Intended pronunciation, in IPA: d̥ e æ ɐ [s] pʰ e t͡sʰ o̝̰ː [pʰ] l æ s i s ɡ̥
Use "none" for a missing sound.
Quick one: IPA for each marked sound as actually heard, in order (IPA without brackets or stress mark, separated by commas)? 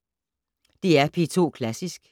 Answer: none, kʰ